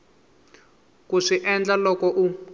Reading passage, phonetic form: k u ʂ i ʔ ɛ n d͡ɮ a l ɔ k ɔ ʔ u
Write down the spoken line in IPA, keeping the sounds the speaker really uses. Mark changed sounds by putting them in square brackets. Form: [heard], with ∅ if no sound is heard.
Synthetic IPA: k u ʂ i ʔ ɛ n d͡ɮ a l ɔ k ɔ ʔ u